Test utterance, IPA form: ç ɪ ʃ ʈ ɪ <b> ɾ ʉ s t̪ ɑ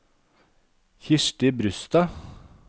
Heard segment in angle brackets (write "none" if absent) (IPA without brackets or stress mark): b